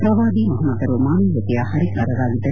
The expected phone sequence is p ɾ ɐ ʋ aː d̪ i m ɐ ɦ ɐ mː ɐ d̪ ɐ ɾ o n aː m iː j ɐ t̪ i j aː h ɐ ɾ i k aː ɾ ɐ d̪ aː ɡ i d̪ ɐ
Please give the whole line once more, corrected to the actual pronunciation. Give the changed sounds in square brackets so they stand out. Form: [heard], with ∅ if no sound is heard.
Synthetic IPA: p ɾ ɐ ʋ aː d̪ i m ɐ ɦ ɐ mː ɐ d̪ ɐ ɾ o [m] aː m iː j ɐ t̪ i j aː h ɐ ɾ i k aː ɾ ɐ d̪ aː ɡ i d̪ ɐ